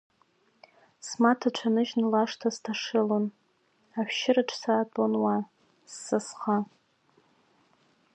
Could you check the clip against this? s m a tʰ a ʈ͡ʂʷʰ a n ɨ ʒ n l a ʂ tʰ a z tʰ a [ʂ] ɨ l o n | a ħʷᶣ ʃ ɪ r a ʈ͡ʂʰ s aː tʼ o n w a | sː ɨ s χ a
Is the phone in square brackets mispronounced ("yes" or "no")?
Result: no